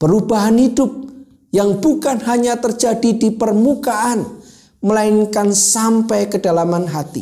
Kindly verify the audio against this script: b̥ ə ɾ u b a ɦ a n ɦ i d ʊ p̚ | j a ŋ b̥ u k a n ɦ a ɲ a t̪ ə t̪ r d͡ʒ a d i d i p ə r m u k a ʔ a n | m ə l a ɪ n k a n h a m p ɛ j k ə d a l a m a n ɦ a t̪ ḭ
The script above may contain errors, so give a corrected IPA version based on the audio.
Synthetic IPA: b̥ ə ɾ u b a ɦ a n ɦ i d ʊ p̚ | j a ŋ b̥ u k a n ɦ a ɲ a t̪ ə r d͡ʒ a d i d i p ə r m u k a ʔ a n | m ə l a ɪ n k a n s a m p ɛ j k ə d a l a m a n ɦ a t̪ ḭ